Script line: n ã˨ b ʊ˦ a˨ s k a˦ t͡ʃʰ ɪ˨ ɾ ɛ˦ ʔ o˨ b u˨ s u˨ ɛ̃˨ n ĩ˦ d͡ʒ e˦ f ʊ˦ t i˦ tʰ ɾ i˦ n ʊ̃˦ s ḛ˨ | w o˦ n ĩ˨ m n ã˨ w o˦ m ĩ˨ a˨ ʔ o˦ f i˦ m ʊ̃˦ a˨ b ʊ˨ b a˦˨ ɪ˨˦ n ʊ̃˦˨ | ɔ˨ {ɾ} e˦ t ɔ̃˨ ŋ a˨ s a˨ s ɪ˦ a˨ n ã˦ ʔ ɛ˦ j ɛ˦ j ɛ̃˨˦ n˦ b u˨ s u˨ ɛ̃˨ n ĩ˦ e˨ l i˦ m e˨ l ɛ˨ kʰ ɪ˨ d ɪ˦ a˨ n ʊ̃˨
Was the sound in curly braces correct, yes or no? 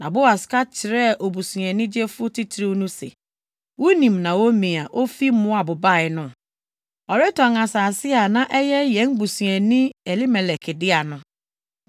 yes